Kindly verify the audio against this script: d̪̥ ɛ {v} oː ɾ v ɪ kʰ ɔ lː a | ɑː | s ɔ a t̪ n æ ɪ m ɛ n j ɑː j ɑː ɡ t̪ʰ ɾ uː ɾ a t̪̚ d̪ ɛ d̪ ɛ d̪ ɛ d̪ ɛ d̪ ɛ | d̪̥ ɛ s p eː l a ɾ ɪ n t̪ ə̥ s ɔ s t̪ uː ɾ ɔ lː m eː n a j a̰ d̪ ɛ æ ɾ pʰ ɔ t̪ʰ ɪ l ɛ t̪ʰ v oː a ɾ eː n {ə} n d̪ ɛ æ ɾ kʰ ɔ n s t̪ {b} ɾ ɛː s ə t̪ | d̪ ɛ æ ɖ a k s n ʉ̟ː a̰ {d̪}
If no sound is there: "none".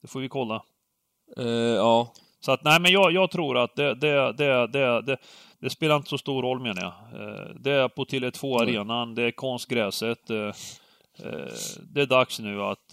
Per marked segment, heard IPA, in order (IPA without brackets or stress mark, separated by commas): f, a, ɡ, t̪